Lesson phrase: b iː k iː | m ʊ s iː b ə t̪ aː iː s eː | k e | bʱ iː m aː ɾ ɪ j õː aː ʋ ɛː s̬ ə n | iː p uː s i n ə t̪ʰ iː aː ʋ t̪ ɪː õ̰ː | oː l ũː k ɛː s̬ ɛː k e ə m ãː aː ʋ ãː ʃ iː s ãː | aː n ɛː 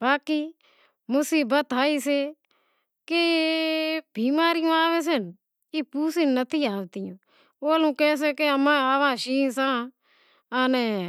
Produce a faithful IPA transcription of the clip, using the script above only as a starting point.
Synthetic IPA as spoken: b aː k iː | m ʊ s iː b ə t̪ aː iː s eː | k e | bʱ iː m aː ɾ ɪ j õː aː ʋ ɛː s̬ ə n | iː p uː s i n ə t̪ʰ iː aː ʋ t̪ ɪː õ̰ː | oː l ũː k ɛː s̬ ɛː k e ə m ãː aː ʋ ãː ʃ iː s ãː | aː n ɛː